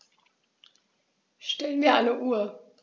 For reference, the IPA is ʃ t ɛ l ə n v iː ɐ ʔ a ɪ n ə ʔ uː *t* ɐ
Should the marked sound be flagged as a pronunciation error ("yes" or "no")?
yes